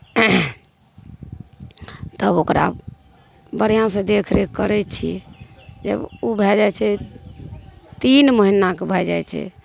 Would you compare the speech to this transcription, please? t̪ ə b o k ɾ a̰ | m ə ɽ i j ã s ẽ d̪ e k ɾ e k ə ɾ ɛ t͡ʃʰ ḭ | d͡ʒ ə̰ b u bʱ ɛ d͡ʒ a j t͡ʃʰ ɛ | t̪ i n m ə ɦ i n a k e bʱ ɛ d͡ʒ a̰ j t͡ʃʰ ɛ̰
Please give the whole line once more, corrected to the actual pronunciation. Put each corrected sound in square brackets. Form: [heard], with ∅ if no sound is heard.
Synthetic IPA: t̪ ə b o k ɾ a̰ | [b] ə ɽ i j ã s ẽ d̪ e [kʰ] ɾ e k ə ɾ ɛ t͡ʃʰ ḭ | d͡ʒ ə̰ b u bʱ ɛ d͡ʒ a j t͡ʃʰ ɛ | t̪ i n m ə ɦ i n a k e bʱ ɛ d͡ʒ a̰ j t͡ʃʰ ɛ̰